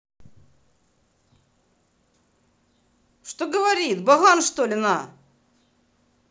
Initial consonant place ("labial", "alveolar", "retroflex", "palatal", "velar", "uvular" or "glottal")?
retroflex